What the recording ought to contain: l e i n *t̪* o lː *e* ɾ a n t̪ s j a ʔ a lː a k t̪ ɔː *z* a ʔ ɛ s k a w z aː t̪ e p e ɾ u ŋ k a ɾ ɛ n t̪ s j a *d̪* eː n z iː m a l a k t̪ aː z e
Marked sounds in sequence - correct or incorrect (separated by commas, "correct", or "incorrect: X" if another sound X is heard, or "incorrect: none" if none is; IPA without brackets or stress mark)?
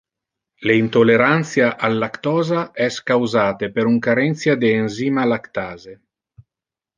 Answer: correct, correct, correct, correct